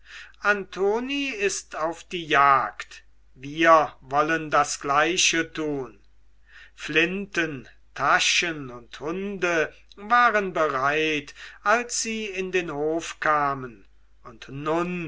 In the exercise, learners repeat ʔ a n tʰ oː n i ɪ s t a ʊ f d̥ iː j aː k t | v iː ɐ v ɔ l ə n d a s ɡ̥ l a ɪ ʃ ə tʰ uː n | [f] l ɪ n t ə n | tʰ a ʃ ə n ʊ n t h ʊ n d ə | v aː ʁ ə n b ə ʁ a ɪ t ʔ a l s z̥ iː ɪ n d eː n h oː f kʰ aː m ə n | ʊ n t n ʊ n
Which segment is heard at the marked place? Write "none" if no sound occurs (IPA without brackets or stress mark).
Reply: f